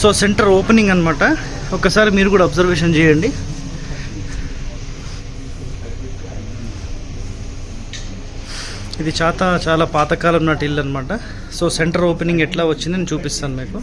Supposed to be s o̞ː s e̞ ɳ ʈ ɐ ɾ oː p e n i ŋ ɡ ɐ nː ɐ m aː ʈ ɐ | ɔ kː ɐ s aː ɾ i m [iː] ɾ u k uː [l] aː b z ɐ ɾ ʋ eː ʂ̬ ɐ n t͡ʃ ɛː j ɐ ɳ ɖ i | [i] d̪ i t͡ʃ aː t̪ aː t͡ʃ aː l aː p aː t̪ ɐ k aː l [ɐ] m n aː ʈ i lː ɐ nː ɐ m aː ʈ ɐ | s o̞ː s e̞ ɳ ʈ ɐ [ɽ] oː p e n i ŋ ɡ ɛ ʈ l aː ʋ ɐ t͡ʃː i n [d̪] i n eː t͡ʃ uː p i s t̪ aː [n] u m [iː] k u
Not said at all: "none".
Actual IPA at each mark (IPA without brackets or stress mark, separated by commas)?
iː, ɽ, i, ɐ, ɾ, d̪, n, iː